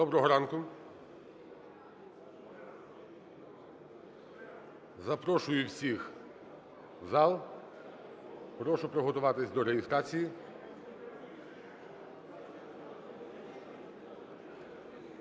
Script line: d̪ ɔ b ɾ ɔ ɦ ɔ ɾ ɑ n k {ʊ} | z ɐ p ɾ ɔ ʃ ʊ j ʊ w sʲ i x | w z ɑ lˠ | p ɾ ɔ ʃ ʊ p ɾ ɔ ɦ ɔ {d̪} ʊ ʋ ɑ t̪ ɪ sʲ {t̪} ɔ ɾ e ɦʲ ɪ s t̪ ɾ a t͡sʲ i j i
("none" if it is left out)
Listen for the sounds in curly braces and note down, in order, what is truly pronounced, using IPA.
ʊ, t̪, d̪

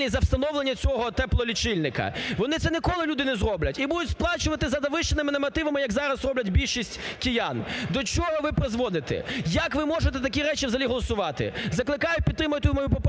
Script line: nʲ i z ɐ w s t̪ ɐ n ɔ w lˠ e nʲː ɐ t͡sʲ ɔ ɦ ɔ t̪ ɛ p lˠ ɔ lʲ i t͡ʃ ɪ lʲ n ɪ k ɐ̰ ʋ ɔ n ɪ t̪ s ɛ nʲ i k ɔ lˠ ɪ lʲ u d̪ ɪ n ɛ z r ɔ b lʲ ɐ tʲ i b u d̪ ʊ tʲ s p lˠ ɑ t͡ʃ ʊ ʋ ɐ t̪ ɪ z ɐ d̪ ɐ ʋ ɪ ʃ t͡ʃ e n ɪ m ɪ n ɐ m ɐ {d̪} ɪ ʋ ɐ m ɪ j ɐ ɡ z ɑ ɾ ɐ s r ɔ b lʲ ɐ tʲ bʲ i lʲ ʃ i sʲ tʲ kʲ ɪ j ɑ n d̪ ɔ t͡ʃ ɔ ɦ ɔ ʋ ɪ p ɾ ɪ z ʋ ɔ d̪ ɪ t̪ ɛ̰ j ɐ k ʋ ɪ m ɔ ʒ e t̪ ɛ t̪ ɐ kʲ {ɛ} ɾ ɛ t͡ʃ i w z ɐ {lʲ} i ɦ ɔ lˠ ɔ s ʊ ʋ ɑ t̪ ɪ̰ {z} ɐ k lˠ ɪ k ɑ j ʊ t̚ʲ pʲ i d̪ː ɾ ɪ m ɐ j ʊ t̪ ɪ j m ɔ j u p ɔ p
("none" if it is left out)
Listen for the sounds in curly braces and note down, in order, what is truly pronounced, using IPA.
t̪, i, lʲ, z

